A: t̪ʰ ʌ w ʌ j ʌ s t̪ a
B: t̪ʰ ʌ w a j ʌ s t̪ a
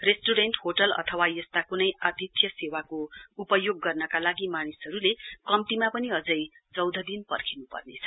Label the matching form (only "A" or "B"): B